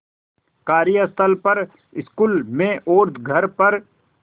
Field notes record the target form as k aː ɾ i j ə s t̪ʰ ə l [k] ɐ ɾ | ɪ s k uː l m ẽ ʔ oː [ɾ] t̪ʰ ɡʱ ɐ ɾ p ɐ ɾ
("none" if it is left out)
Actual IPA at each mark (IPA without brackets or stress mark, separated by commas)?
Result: p, ɾ